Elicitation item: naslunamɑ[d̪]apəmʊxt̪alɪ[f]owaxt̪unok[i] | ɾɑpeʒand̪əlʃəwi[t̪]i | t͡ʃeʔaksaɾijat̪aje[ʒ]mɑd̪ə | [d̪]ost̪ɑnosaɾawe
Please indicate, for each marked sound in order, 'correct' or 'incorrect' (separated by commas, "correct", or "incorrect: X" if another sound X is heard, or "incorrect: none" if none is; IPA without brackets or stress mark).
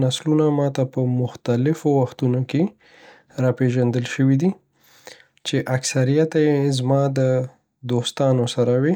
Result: incorrect: t̪, correct, incorrect: e, incorrect: d̪, incorrect: z, correct